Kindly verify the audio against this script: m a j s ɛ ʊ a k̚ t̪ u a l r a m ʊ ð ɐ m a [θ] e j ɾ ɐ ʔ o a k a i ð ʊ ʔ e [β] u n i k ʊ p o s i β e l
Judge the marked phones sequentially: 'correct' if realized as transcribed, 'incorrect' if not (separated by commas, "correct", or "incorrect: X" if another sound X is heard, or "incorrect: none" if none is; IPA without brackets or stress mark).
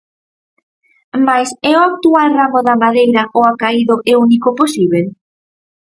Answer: incorrect: ð, incorrect: none